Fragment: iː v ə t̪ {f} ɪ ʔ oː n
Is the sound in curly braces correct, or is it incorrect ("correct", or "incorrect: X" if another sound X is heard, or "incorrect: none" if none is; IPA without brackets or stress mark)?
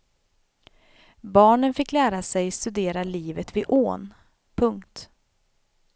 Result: incorrect: v